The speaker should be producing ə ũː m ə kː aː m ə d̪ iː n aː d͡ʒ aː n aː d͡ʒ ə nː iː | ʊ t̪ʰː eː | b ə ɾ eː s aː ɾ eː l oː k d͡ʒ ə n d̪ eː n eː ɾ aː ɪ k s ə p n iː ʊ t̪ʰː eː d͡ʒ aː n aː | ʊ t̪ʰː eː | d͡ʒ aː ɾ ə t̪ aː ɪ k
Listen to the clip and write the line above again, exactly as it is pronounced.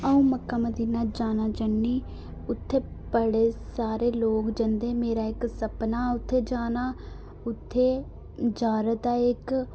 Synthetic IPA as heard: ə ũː m ə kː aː m ə d̪ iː n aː d͡ʒ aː n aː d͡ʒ ə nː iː | ʊ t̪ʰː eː | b ə ɽ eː s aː ɾ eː l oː k d͡ʒ ə n d̪ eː m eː ɾ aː ɪ k s ə p n aː ʊ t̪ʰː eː d͡ʒ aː n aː | ʊ t̪ʰː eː | d͡ʒ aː ɾ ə t̪ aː ɪ k